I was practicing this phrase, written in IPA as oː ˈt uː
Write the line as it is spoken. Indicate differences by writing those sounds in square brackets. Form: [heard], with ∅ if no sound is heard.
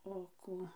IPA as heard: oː [ˈk] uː

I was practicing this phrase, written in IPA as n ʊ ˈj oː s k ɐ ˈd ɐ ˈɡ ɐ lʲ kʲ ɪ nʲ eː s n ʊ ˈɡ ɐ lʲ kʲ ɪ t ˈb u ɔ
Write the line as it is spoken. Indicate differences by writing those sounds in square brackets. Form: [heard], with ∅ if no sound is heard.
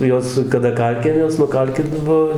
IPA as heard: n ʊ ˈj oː s k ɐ ˈd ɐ [ˈk] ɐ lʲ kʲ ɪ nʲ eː s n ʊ [ˈk] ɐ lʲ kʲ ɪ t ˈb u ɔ

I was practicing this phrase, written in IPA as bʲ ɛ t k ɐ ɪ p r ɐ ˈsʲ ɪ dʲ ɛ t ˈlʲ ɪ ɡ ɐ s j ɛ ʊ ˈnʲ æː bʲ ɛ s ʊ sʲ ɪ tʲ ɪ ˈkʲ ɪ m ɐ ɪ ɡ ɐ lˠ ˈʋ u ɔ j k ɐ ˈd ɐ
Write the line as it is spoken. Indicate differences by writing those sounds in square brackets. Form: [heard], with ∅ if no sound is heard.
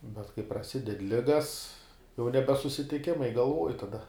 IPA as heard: bʲ ɛ t k ɐ ɪ p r ɐ ˈsʲ ɪ dʲ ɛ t ˈlʲ ɪ ɡ ɐ s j ɛ ʊ ˈnʲ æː bʲ ɛ s ʊ sʲ ɪ tʲ ɪ ˈkʲ ɪ m ɐ ɪ ɡ ɐ lˠ ˈʋ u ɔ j [t] ɐ ˈd ɐ

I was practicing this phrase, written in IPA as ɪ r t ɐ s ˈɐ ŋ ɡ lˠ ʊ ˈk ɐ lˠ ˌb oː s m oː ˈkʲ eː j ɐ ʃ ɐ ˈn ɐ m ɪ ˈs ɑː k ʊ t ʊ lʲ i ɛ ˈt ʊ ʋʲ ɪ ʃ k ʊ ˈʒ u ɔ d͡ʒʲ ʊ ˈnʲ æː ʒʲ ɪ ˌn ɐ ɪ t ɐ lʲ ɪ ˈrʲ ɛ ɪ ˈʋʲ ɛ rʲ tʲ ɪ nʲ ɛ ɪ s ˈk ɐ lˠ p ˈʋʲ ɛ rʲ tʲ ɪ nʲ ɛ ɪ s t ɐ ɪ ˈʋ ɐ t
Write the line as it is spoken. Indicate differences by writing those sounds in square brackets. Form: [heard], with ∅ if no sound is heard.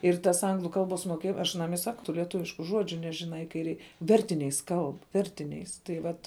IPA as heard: ɪ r t ɐ s ˈɐ ŋ ɡ lˠ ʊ ˈk ɐ lˠ ˌb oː s m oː ˈkʲ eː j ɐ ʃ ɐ ˈn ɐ m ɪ ˈs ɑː k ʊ t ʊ lʲ i ɛ ˈt ʊ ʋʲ ɪ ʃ k ʊ ˈʒ u ɔ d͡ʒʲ ʊ ˈnʲ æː ʒʲ ɪ ˌn ɐ ɪ [k] ɐ [∅] ɪ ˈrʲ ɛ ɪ ˈʋʲ ɛ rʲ tʲ ɪ nʲ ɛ ɪ s ˈk ɐ lˠ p ˈʋʲ ɛ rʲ tʲ ɪ nʲ ɛ ɪ s t ɐ ɪ ˈʋ ɐ t

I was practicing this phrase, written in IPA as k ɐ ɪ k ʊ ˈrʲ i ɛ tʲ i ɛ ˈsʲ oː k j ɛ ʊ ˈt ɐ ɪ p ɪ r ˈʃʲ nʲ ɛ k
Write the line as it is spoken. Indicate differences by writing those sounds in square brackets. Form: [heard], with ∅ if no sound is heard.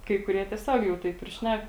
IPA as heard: k ɐ ɪ k ʊ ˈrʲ i ɛ tʲ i ɛ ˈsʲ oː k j ɛ ʊ ˈt ɐ ɪ p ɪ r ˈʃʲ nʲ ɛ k

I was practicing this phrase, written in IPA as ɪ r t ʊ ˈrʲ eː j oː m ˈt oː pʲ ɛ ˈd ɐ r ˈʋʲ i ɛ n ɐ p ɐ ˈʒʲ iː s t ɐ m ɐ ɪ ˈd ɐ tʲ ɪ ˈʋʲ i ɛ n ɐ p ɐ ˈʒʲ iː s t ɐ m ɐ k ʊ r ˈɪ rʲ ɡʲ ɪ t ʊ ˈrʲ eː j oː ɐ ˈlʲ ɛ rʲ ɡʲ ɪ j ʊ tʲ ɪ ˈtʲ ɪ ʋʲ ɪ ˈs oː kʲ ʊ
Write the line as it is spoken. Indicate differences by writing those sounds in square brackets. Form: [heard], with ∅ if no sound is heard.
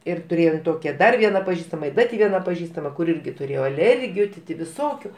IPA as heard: ɪ r t ʊ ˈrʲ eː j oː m ˈt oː [kʲ] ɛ ˈd ɐ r ˈʋʲ i ɛ n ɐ p ɐ ˈʒʲ iː s t ɐ m ɐ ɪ ˈd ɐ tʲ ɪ ˈʋʲ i ɛ n ɐ p ɐ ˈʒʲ iː s t ɐ m ɐ k ʊ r ˈɪ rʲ ɡʲ ɪ t ʊ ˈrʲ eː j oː ɐ ˈlʲ ɛ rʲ ɡʲ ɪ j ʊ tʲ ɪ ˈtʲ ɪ ʋʲ ɪ ˈs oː kʲ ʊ

